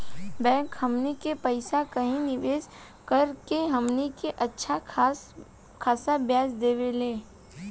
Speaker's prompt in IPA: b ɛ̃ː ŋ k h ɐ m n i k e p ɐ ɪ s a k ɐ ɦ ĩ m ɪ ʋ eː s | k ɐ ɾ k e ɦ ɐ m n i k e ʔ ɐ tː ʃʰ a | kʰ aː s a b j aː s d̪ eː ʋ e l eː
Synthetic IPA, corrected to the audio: b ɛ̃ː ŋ k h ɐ m n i k e p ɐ ɪ s a k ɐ ɦ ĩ n ɪ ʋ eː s | k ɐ ɾ k e ɦ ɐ m n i k e ʔ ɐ tː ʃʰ a | kʰ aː s a b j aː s d̪ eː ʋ e l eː

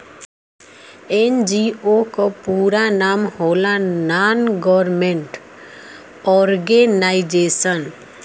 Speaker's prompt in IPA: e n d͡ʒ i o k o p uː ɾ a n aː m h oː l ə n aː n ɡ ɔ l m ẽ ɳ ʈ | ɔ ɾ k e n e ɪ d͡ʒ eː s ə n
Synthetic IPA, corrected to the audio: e n d͡ʒ i o k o p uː ɾ a n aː m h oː l a n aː n ɡ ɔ ɾ m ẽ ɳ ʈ | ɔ ɾ ɡ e n a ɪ d͡ʒ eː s ə n

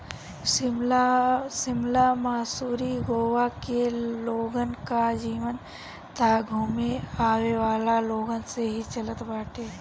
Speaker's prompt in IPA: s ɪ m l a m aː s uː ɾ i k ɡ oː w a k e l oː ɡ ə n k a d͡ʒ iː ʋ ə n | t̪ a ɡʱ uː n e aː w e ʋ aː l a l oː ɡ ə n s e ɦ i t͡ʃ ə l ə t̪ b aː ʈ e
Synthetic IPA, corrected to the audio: s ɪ m l a m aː s uː ɾ i ɡ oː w a k e l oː ɡ ə n k a d͡ʒ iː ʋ ə n | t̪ a ɡʱ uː m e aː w e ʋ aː l a l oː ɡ ə n s e ɦ i t͡ʃ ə l ə t̪ b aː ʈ e

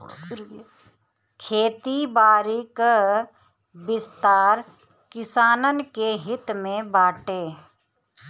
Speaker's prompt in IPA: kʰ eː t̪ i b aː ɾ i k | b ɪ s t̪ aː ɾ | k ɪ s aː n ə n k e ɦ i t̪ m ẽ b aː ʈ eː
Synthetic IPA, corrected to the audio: kʰ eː t̪ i b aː ɾ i k | b ɪ s t̪ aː ɾ | k ɪ s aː n ə n k e ɦ ɪ t̪ m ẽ b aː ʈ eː

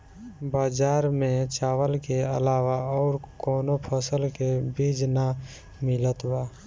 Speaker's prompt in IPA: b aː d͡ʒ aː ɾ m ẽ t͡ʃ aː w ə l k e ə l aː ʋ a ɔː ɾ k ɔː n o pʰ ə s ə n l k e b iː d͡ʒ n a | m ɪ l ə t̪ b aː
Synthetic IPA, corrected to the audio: b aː d͡ʒ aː ɾ m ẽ t͡ʃ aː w ə l k e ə l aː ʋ a ɔː ɾ k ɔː n o pʰ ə s ə l k e b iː d͡ʒ n a | m ɪ l ə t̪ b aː

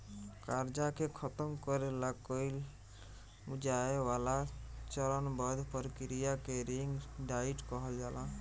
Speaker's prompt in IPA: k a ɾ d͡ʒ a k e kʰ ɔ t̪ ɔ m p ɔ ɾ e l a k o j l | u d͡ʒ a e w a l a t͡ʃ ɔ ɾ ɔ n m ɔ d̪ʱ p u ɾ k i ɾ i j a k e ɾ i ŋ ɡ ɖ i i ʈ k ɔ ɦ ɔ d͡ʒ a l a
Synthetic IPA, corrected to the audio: k a ɾ d͡ʒ a k e kʰ ɔ t̪ ɔ m k ɔ ɾ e l a k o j l | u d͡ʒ a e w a l a t͡ʃ ɔ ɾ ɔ n b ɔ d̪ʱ p ɔ ɾ k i ɾ i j a k e ɾ i ŋ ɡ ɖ a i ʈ k ɔ ɦ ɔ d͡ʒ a l a

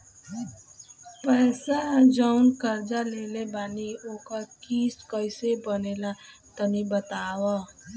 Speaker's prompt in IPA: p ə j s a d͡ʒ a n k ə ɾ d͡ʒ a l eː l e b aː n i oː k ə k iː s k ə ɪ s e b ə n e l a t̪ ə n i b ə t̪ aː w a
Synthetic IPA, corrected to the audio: p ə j s a d͡ʒ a n k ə ɾ d͡ʒ a l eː l e b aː n i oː k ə k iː s k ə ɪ s e b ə n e l a t̪ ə n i b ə t̪ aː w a

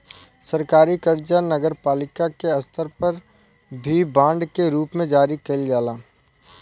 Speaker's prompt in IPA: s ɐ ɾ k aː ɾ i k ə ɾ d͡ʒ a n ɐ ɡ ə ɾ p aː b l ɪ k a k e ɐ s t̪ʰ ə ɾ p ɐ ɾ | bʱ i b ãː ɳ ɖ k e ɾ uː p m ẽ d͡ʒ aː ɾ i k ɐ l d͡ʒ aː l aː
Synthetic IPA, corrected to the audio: s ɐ ɾ k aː ɾ i k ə ɾ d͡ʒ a n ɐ ɡ ə ɾ p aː l ɪ k a k e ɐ s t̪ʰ ə ɾ p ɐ ɾ | bʱ i b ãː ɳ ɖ k e ɾ uː p m ẽ d͡ʒ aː ɾ i k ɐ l d͡ʒ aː l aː

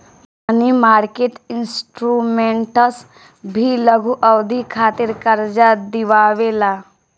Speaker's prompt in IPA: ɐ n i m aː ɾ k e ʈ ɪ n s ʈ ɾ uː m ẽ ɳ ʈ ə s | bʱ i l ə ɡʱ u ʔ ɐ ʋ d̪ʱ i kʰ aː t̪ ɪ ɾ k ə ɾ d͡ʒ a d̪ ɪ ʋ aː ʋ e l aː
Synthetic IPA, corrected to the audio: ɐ n i m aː ɾ k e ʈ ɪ n s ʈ ɾ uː m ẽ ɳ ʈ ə s | bʱ i l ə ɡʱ u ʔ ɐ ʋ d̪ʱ i kʰ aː t̪ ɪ ɾ k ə ɾ d͡ʒ a d̪ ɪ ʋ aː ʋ e l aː

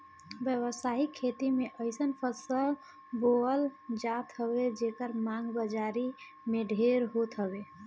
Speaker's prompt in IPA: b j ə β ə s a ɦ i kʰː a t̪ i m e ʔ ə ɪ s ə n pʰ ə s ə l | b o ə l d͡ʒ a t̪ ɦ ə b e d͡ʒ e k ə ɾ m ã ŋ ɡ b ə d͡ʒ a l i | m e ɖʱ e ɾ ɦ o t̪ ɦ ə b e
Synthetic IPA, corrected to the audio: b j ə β ə s a ɦ i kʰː e t̪ i m e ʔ ə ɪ s ə n pʰ ə s ə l | b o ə l d͡ʒ a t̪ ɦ ə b e d͡ʒ e k ə ɾ m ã ŋ ɡ b ə d͡ʒ a ɾ i | m e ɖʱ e ɾ ɦ o t̪ ɦ ə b e

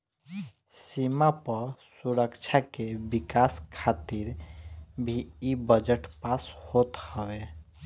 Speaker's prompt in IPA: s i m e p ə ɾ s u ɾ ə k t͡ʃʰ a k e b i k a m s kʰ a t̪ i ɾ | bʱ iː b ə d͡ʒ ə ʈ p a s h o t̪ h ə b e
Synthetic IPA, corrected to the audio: s i m a p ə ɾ s u ɾ ə k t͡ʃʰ a k e b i k a s kʰ a t̪ i ɾ | bʱ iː b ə d͡ʒ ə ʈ p a s h o t̪ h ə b e

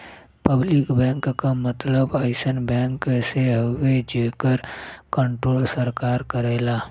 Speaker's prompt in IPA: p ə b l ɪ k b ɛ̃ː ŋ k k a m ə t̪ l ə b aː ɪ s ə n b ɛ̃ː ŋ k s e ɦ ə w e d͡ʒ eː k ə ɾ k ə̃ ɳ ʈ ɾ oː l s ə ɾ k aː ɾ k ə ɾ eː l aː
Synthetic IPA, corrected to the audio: p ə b l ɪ k b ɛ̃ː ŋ k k a m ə t̪ l ə b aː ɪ s ə n b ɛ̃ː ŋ k s e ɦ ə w e d͡ʒ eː k ə ɾ k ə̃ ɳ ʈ ɾ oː l s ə ɾ k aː ɾ k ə ɾ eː l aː

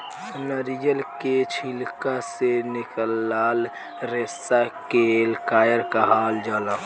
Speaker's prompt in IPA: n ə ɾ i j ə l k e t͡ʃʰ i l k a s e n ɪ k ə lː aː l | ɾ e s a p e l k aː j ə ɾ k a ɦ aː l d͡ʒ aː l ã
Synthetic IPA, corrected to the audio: n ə ɾ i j ə l k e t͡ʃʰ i l k a s e n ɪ k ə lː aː l | ɾ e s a k e l k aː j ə ɾ k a ɦ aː l d͡ʒ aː l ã

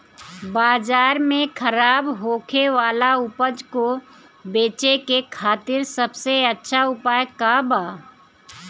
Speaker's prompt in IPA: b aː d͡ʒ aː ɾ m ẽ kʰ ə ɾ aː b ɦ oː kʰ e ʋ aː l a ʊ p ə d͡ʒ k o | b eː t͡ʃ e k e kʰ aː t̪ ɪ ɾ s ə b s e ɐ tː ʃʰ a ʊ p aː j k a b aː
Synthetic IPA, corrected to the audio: b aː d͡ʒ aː ɾ m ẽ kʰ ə ɾ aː b ɦ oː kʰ e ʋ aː l a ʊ p ə d͡ʒ k o | b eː t͡ʃ e k e kʰ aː t̪ ɪ ɾ s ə b s e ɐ tː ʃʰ a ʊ p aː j k a b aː

